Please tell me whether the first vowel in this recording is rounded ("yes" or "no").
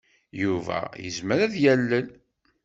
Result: yes